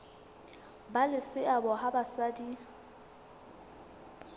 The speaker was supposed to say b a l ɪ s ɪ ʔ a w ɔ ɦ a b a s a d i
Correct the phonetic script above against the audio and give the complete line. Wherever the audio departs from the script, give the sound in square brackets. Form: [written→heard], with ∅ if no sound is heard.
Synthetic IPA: b a l ɪ s ɪ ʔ a [w→b] ɔ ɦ a b a s a d i